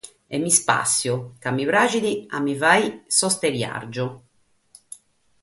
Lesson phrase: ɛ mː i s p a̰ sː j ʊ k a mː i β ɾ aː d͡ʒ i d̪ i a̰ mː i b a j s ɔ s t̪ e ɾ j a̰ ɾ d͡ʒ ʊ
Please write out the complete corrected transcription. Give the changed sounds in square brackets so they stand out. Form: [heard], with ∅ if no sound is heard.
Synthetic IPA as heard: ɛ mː i s p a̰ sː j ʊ k a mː i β ɾ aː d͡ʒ i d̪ i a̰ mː i [v] a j s ɔ s t̪ e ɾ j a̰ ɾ d͡ʒ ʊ